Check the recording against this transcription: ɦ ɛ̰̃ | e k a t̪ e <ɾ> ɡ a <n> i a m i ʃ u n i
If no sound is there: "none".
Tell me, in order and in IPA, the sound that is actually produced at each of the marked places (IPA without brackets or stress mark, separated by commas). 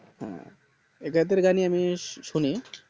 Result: ɾ, n